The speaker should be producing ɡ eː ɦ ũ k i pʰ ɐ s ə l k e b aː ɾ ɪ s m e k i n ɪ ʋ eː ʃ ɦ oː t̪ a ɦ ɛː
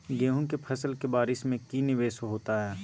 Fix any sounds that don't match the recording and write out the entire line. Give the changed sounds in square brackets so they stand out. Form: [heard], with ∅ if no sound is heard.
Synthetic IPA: ɡ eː ɦ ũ k [e] pʰ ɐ s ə l k e b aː ɾ ɪ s m [ẽ] k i n ɪ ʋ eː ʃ ɦ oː t̪ a ɦ ɛː